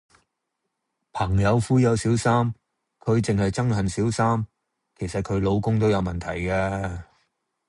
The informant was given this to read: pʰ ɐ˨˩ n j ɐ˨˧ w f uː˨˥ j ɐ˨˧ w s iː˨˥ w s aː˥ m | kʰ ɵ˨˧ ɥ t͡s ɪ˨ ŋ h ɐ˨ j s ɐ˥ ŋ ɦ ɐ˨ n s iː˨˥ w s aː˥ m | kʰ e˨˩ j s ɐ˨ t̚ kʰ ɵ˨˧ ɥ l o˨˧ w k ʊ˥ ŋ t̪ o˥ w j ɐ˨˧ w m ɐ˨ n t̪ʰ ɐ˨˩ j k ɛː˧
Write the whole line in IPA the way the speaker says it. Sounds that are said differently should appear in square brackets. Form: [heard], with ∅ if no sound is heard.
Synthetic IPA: pʰ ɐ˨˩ [ŋ] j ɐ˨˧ w f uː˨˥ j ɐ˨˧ w s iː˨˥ w s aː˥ m | kʰ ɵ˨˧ ɥ t͡s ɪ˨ ŋ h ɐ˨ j [t͡s] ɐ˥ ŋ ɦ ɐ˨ n s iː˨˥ w s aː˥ m | kʰ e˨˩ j s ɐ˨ t̚ kʰ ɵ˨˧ ɥ l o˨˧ w k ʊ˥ ŋ t̪ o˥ w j ɐ˨˧ w m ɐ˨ n t̪ʰ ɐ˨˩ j k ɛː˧

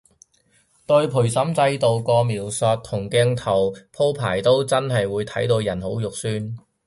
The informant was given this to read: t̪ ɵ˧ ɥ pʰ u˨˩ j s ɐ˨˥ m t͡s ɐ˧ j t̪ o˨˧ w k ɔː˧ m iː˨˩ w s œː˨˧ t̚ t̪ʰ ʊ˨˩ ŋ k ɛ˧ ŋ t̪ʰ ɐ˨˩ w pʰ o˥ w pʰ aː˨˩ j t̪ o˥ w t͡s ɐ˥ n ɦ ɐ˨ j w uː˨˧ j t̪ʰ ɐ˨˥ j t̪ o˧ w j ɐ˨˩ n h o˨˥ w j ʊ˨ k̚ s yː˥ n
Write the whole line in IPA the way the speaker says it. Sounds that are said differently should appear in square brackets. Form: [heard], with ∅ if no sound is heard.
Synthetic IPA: t̪ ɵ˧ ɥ pʰ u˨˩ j s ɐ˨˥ m t͡s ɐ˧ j t̪ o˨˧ w k ɔː˧ m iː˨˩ w s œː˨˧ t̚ t̪ʰ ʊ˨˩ ŋ k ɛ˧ ŋ t̪ʰ ɐ˨˩ w pʰ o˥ w pʰ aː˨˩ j t̪ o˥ w t͡s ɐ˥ n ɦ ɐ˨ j w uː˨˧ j t̪ʰ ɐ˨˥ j t̪ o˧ w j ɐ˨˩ n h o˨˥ w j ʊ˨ k̚ s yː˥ n

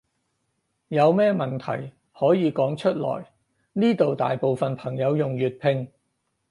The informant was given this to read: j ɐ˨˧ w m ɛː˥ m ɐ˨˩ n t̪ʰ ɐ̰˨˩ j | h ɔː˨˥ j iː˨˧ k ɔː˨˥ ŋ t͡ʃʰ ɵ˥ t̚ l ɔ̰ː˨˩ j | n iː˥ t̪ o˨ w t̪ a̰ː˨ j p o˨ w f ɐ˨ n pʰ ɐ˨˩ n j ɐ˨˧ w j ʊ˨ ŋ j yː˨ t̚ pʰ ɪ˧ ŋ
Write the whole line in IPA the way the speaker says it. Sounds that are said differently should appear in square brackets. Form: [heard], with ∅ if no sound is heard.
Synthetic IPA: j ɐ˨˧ w m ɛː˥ m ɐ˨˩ n t̪ʰ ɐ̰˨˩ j | h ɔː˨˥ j iː˨˧ k ɔː˨˥ ŋ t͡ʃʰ ɵ˥ t̚ l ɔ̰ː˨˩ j | n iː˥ t̪ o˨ w t̪ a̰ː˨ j p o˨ w f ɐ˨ n pʰ ɐ˨˩ [ŋ] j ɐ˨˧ w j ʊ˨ ŋ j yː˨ t̚ pʰ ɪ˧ ŋ

